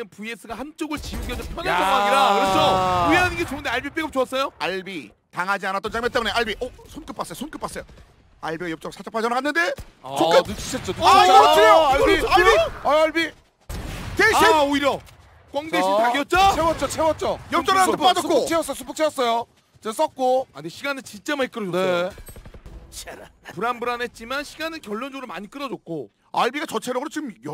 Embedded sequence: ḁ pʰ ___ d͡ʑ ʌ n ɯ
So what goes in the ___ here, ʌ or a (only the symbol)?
a